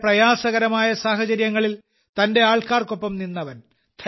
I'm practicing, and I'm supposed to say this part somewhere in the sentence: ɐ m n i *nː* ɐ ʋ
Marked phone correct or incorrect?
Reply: correct